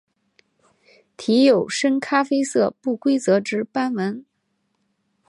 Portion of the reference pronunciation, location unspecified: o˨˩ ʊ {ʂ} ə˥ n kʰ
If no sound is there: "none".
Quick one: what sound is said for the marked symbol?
ʂ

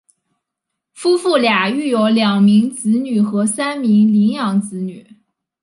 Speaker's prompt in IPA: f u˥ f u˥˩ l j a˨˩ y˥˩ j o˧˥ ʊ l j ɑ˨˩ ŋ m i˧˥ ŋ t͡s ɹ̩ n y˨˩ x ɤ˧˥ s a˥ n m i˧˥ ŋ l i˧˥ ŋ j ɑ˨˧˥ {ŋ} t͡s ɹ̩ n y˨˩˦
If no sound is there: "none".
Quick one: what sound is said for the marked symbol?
ŋ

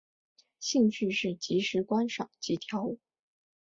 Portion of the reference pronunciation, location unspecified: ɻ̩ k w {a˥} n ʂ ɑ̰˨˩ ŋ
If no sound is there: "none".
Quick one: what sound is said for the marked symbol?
a˥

